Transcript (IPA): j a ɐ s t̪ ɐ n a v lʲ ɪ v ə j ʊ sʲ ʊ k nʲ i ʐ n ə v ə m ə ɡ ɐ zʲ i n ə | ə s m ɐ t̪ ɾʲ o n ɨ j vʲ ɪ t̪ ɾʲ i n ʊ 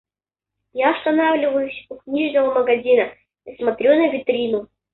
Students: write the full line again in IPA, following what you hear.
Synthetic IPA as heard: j a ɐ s t̪ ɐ n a v lʲ ɪ v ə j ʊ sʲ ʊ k nʲ i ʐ n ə v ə m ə ɡ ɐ zʲ i n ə | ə s m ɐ t̪ ɾʲ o n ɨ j vʲ ɪ t̪ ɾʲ i n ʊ

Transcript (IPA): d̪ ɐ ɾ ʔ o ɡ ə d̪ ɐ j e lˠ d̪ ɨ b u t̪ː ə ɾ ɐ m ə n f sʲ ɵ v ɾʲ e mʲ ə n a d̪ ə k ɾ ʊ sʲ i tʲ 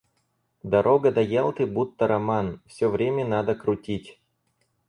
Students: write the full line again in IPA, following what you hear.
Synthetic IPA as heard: d̪ ɐ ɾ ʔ o ɡ ə d̪ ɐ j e lˠ t̪ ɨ b u t̪ː ə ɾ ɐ m a n f sʲ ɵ v ɾʲ e mʲ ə n a d̪ ə k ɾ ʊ tʲ i tʲ

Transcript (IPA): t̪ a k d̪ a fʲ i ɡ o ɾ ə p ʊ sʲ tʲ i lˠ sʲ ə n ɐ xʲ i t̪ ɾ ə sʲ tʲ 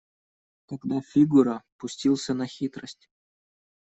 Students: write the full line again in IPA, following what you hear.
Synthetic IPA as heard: t̪ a ɡ d̪ a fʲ i ɡ u ɾ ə p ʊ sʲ tʲ i lˠ sʲ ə n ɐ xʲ i t̪ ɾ ə sʲ tʲ

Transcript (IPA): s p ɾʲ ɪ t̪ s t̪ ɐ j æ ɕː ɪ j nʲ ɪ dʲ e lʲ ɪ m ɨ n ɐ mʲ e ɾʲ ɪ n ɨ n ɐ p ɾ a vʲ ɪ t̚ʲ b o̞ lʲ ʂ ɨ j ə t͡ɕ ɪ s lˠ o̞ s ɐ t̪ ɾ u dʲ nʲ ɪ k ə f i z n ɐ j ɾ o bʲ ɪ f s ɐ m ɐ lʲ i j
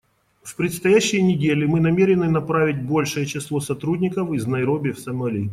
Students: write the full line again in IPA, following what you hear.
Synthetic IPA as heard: f p ɾʲ ɪ t̪ s t̪ ɐ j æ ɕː ɪ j nʲ ɪ dʲ e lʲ ɪ m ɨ n ɐ mʲ e ɾʲ ɪ n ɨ n ɐ p ɾ a vʲ ɪ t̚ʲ b o̞ lʲ ʂ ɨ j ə t͡ɕ ɪ s lˠ o̞ s ɐ t̪ ɾ u dʲ nʲ ɪ k ə f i z n ɐ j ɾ o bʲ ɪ f s ɐ m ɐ lʲ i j

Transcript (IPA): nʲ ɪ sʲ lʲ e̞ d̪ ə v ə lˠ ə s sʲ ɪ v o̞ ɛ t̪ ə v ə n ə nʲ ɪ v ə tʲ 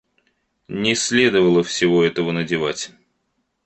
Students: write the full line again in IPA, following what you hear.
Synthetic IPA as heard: nʲ ɪ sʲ lʲ e̞ d̪ ə v ə lˠ ə f sʲ ɪ v o̞ ɛ t̪ ə v ə n ə dʲ ɪ v a tʲ

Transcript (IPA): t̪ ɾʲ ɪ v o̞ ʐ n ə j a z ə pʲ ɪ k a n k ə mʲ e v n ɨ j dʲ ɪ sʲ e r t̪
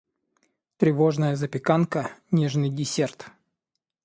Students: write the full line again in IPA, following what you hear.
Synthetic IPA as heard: t̪ ɾʲ ɪ v o̞ ʐ n ə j ə z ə pʲ ɪ k a n k ə nʲ e ʐ n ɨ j dʲ ɪ sʲ e r t̪

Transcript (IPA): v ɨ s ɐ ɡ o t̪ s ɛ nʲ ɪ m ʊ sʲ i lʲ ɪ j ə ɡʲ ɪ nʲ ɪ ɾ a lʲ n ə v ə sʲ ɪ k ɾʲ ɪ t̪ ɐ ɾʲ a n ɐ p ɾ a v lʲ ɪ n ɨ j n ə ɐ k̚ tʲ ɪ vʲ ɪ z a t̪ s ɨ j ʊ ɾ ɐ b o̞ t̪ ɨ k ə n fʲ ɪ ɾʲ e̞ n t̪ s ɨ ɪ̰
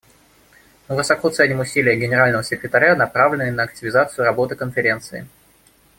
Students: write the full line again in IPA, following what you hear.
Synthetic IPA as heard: v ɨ s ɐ k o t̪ s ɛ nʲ ɪ m ʊ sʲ i lʲ ɪ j ə ɡʲ ɪ nʲ ɪ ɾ a lʲ n ə v ə sʲ ɪ k ɾʲ ɪ t̪ ɐ ɾʲ a n ɐ p ɾ a v lʲ ɪ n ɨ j n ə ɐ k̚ tʲ ɪ vʲ ɪ z a t̪ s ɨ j ʊ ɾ ɐ b o̞ t̪ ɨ k ə n fʲ ɪ ɾʲ e̞ n t̪ s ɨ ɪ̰

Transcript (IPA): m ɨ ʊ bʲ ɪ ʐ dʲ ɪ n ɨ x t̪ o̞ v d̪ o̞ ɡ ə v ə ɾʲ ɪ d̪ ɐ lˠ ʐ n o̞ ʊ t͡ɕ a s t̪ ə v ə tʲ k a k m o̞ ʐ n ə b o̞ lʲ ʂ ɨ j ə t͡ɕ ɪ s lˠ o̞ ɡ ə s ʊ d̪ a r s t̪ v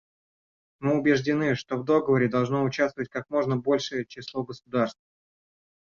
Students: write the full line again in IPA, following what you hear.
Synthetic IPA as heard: m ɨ ʊ bʲ ɪ ʐ dʲ ɪ n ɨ ʂ t̪ o̞ v d̪ o̞ ɡ ə v ə ɾʲ ɪ d̪ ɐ lˠ ʐ n o̞ ʊ t͡ɕ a s t̪ ə v ə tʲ k a k m o̞ ʐ n ə b o̞ lʲ ʂ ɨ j ə t͡ɕ ɪ s lˠ o̞ ɡ ə s ʊ d̪ a r s t̪ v

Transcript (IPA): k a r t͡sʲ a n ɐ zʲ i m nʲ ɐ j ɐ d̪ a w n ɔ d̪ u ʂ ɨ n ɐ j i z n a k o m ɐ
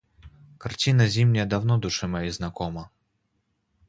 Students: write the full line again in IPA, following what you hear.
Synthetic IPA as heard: k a r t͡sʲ i n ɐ zʲ i m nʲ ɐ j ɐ d̪ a w n ɔ d̪ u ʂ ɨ m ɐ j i z n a k ɔ m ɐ

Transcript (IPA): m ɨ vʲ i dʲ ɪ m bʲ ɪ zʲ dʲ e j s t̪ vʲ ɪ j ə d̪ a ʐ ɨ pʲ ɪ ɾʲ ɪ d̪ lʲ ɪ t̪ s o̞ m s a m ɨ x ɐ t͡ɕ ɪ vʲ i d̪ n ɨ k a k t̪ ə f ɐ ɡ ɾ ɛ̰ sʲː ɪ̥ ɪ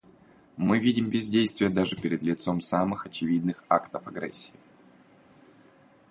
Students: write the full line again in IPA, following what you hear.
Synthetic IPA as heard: m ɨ vʲ i dʲ ɪ m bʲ ɪ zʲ dʲ e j s t̪ vʲ ɪ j ə d̪ a ʐ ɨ pʲ ɪ ɾʲ ɪ d̪ lʲ ɪ t̪ s o̞ m s a m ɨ x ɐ t͡ɕ ɪ vʲ i d̪ n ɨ x a k t̪ ə f ɐ ɡ ɾ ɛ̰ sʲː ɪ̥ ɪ

